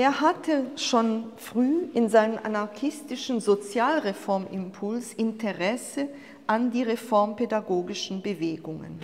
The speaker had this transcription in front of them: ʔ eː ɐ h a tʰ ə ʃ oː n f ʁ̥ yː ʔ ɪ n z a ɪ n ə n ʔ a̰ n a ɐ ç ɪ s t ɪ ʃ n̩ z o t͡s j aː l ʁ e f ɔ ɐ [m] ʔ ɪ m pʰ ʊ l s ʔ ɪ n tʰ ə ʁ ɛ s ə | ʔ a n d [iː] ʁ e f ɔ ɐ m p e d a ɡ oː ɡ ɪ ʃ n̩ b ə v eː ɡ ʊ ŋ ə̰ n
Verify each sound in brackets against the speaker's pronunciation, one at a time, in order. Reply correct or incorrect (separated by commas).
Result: correct, correct